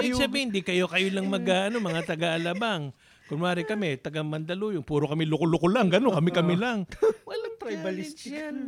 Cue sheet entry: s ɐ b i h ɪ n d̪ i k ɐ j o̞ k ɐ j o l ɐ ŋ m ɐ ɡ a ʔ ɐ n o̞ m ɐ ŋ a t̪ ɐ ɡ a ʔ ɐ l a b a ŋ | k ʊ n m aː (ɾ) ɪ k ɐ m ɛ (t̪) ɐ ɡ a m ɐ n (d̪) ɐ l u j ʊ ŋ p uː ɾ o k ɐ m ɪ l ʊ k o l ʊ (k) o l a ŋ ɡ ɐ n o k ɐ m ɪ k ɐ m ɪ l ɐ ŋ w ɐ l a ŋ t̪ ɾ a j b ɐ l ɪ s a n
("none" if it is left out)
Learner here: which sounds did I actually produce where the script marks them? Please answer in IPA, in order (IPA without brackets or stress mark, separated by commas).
ɾ, t̪, d̪, k